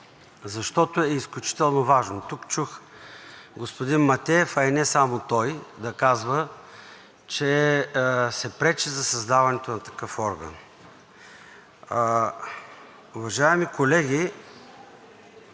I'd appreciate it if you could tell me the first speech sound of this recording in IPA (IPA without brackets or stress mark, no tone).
z